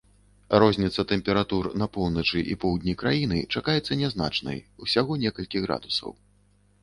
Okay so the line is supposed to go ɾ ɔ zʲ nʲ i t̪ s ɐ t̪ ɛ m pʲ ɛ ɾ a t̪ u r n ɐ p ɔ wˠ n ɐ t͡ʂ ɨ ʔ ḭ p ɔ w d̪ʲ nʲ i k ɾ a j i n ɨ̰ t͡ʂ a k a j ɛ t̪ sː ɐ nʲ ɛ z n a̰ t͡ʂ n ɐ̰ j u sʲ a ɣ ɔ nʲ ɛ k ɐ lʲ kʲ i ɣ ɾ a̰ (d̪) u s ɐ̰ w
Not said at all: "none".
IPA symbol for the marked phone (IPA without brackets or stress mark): d̪